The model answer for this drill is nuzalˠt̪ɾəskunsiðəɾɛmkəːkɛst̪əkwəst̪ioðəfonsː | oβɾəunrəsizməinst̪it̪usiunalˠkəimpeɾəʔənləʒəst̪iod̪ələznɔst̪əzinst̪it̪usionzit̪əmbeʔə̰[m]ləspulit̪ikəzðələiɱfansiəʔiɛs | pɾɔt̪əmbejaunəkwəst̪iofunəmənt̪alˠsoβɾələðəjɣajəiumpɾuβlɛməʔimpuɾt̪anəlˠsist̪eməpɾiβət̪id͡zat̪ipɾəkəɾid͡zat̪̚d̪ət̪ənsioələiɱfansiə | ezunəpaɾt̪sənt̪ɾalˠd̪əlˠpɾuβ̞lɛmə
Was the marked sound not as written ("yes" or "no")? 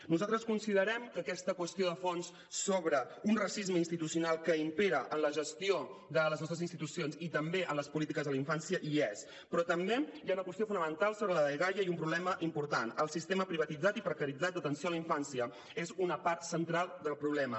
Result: yes